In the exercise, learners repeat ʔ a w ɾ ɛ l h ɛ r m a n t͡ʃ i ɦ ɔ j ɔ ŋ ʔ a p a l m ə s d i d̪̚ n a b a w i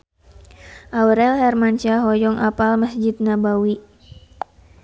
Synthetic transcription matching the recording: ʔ a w ɾ ɛ l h ɛ r m a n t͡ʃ a ɦ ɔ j ɔ ŋ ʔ a p a l m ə s d͡ʒ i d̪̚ n a b a w i